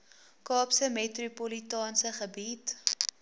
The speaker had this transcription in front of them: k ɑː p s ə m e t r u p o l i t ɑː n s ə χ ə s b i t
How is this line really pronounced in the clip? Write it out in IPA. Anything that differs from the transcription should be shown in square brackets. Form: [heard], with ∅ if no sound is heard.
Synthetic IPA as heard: k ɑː p s ə m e t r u p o l i t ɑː n s ə χ ə [∅] b i t

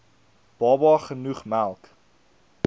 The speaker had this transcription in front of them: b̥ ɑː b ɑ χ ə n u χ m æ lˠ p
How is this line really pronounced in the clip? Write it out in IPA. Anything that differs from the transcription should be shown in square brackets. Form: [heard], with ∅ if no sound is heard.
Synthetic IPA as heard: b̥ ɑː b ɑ χ ə n u χ m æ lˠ [k]

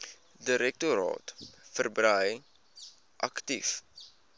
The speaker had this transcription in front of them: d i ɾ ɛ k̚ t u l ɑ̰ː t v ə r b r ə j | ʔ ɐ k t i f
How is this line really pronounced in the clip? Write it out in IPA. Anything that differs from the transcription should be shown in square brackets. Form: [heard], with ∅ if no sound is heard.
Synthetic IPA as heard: d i ɾ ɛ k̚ t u [ɾ] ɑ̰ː t [f] ə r b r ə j | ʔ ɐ k t i f

